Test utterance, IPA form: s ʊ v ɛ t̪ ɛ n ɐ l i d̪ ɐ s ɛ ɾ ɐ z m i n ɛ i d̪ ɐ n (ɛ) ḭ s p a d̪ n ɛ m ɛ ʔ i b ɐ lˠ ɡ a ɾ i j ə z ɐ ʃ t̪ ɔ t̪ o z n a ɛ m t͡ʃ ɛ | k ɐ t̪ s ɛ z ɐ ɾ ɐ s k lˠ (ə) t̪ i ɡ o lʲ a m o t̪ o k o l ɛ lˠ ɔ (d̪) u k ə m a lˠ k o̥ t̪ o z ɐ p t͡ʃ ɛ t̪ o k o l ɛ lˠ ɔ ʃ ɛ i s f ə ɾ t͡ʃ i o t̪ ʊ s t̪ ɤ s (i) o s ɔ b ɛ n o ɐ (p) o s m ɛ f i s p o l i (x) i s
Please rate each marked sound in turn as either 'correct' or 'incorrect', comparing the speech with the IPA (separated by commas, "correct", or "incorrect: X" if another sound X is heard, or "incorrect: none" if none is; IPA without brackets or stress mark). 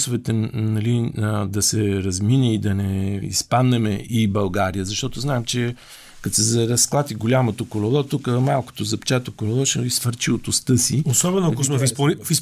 correct, incorrect: a, incorrect: t̪, correct, incorrect: k, incorrect: f